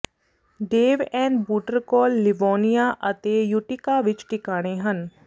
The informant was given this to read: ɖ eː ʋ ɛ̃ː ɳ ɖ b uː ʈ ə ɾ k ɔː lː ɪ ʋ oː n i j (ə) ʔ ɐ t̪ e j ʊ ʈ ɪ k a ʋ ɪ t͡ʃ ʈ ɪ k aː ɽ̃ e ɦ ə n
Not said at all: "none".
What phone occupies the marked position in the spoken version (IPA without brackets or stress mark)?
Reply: a